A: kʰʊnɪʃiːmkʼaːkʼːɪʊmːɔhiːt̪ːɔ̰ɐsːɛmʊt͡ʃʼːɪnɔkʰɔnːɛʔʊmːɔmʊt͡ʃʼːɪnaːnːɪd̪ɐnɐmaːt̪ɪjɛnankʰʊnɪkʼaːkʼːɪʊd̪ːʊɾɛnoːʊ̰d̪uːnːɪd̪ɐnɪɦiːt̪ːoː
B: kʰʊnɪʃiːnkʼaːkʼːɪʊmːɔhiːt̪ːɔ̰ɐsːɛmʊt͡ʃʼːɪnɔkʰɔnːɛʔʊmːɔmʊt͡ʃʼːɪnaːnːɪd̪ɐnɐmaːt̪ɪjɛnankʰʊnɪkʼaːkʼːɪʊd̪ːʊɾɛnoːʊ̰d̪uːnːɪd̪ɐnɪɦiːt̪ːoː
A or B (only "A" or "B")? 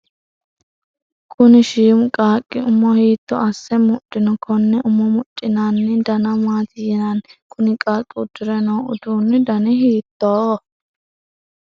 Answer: A